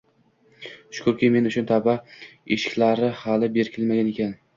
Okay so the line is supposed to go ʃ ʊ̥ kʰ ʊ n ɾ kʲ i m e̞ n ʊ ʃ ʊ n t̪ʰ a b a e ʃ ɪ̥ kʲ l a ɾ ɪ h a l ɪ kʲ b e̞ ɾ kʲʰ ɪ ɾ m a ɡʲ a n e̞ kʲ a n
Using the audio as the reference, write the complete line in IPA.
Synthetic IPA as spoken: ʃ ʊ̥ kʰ ʊ ɾ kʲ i m e̞ n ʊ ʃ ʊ n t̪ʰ a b a e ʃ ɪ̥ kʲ l a ɾ ɪ h a l ɪ b e̞ ɾ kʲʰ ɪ l m a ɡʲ a n e̞ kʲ a n